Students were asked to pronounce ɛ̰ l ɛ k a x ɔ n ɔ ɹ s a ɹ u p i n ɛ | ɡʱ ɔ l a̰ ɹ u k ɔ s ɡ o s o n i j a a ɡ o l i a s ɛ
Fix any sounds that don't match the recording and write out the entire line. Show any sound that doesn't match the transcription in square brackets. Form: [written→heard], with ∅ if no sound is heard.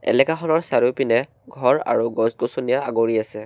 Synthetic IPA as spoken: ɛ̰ l ɛ k a x ɔ n ɔ ɹ s a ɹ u p i n ɛ | ɡʱ ɔ [l→ɹ] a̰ ɹ u [k→ɡ] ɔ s ɡ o s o n i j a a ɡ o [l→ɹ] i a s ɛ